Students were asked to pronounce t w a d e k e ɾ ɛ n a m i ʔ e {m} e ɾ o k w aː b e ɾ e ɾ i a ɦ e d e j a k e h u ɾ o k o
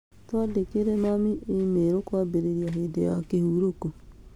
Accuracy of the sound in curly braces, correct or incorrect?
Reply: correct